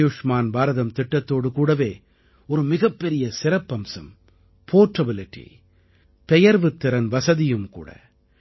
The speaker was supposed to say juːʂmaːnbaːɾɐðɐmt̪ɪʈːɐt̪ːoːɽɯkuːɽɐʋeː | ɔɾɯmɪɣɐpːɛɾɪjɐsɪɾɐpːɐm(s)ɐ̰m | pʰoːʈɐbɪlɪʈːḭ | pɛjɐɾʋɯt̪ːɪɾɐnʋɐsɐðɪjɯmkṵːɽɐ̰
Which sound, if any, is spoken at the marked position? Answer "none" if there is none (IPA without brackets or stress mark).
s